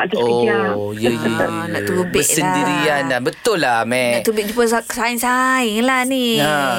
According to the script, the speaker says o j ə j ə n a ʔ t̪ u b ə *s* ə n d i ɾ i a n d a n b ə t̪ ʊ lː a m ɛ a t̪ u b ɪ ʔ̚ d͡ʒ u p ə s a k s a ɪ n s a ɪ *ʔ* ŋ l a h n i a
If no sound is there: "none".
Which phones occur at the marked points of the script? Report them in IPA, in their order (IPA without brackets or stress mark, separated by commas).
s, none